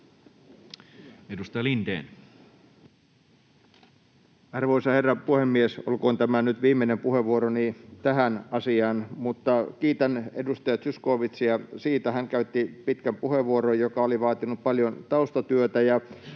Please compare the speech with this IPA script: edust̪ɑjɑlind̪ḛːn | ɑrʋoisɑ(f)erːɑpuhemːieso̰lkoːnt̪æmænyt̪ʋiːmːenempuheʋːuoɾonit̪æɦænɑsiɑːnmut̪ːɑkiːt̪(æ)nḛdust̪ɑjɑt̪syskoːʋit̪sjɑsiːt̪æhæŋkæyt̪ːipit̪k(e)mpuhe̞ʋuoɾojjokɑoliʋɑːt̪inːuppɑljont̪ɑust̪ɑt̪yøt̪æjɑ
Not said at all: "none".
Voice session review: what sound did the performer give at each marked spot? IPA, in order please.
h, æ, æ

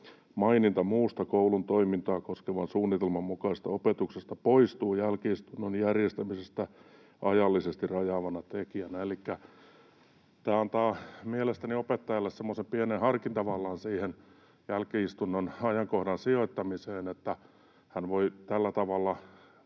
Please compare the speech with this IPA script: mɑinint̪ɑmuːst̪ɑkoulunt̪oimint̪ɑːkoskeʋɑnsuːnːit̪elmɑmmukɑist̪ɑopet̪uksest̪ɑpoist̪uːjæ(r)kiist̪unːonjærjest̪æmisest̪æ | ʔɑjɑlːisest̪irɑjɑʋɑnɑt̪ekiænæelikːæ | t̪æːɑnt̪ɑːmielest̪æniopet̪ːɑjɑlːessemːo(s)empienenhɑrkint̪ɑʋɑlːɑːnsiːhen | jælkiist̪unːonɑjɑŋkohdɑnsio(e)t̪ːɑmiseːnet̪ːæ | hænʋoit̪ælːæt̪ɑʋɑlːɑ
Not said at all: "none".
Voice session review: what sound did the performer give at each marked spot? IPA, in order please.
l, s, i

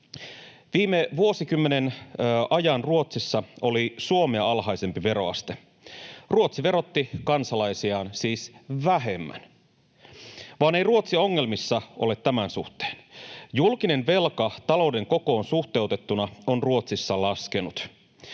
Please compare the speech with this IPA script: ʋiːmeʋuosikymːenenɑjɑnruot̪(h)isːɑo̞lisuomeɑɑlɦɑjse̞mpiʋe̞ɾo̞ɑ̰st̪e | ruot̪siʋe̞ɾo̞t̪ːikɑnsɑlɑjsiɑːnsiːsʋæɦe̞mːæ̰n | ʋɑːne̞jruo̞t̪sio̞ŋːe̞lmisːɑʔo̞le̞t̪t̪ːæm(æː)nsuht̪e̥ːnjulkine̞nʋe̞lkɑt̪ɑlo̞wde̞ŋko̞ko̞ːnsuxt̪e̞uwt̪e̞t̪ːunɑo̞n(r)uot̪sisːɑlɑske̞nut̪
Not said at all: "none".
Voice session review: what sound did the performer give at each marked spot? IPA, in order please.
s, æ, r

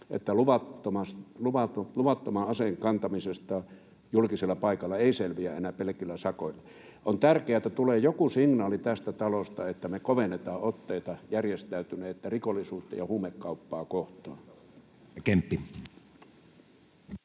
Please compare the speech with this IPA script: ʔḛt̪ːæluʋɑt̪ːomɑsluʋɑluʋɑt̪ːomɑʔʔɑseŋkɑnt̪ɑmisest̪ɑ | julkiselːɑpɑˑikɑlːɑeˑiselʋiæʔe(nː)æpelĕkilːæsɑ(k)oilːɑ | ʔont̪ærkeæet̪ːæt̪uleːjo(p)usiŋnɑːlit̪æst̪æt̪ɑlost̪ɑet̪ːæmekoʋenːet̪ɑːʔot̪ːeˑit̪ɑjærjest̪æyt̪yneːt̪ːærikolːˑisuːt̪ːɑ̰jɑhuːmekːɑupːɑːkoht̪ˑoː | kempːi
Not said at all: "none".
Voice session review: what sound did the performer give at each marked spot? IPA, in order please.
n, k, k

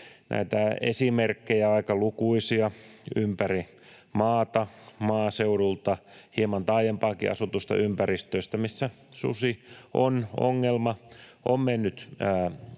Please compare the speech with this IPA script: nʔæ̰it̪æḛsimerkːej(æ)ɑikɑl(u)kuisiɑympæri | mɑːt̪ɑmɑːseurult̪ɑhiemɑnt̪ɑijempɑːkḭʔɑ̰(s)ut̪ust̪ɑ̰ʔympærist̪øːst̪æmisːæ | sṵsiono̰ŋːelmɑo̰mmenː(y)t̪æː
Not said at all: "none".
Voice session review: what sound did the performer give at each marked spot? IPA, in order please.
æ, u, s, y

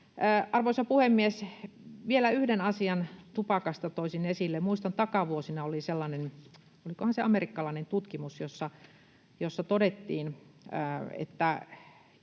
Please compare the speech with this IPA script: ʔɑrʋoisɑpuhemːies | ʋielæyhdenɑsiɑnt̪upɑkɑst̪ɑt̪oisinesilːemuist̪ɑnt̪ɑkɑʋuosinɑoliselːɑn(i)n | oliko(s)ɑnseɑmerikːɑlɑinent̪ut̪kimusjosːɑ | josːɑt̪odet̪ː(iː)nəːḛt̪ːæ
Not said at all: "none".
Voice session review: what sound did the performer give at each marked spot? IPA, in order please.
e, h, iː

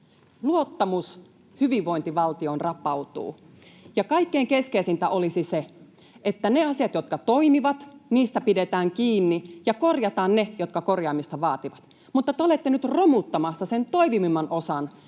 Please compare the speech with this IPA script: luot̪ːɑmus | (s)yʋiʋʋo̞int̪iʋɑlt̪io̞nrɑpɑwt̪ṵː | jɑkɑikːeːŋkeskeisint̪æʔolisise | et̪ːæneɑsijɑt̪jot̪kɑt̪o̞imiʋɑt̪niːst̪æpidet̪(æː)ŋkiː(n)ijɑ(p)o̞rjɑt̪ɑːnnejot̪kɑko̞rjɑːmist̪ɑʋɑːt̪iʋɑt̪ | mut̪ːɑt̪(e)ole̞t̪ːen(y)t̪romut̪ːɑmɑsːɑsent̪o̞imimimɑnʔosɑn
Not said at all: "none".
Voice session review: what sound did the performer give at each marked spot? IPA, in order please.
h, æː, nː, k, e, y

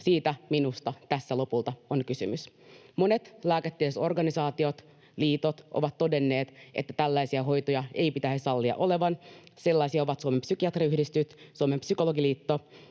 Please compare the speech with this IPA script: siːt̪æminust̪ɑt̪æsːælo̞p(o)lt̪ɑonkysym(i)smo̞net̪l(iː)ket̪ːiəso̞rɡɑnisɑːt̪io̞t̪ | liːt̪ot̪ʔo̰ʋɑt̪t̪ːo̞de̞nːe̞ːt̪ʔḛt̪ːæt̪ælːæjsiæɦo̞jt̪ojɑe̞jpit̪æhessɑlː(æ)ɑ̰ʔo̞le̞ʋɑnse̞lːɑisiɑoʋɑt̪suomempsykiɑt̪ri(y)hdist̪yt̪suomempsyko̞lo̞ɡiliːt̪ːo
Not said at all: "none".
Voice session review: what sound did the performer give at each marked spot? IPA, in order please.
u, y, æː, i, y

